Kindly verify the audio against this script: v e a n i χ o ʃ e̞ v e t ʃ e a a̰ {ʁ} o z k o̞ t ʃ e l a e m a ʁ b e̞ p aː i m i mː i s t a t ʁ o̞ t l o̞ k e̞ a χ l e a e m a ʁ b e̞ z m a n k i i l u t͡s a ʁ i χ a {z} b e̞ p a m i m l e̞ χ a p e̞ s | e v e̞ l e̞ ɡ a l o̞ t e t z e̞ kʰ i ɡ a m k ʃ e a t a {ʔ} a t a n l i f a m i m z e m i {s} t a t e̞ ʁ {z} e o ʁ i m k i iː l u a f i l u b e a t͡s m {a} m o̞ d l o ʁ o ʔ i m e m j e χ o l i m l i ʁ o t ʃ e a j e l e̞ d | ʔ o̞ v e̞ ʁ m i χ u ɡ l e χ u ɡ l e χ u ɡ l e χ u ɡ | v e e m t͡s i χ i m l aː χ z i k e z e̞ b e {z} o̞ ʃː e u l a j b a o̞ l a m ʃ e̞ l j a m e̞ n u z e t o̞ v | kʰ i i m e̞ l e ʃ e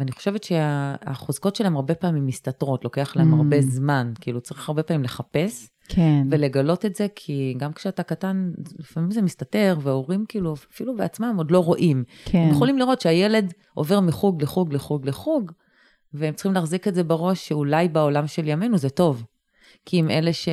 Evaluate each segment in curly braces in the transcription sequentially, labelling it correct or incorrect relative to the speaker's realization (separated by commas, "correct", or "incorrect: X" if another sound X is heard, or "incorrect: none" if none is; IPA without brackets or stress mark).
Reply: incorrect: χ, incorrect: ʁ, incorrect: k, correct, incorrect: v, correct, incorrect: ʁ